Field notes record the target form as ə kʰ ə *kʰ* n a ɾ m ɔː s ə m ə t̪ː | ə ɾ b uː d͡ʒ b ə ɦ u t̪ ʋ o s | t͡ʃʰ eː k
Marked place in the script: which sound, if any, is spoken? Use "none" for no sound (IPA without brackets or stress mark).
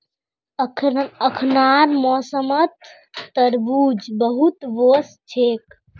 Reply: kʰ